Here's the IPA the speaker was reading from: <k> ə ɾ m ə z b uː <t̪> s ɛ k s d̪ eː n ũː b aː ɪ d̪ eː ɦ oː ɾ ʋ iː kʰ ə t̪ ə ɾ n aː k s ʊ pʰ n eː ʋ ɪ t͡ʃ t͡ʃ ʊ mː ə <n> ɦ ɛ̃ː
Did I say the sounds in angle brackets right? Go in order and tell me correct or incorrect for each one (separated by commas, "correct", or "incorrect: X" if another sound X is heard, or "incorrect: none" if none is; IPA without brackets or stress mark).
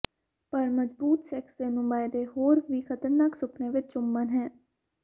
incorrect: p, correct, correct